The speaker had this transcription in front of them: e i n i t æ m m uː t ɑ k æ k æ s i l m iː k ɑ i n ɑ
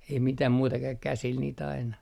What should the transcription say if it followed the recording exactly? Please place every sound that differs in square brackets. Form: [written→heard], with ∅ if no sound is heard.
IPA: e i [n→m] i t æ m m uː t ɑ k æ k æ s i l [m→n] iː [k→t] ɑ i n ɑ